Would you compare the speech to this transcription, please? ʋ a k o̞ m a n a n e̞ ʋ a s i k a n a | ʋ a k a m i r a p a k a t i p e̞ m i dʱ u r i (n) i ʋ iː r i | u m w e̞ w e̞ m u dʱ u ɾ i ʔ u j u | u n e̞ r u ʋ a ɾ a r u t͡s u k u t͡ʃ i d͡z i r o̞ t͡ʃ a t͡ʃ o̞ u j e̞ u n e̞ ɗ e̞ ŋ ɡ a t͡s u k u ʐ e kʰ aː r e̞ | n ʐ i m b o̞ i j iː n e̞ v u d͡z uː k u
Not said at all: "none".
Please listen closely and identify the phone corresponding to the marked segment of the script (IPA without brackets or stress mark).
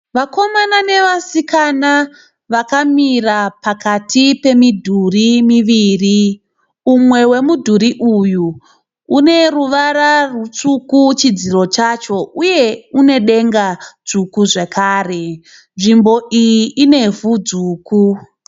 m